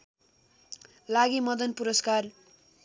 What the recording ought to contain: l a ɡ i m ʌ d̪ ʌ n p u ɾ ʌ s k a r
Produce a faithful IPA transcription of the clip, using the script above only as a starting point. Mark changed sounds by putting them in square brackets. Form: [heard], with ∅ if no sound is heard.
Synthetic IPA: l a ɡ i m ʌ d̪ ʌ n p u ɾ ʌ s k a r